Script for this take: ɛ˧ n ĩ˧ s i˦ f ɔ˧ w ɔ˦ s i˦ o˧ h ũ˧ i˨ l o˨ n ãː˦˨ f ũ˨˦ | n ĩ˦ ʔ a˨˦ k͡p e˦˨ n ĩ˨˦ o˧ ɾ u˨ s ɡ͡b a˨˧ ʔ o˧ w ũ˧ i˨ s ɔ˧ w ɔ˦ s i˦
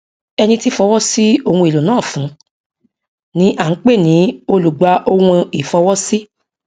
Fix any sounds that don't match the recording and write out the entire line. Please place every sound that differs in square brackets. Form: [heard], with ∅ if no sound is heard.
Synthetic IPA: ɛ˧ n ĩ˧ [t] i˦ f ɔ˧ w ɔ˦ s i˦ o˧ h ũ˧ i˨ l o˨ n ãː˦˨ f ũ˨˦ | n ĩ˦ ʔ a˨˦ k͡p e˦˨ n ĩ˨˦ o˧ [l] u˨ [∅] ɡ͡b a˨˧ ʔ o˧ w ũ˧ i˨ [f] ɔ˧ w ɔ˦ s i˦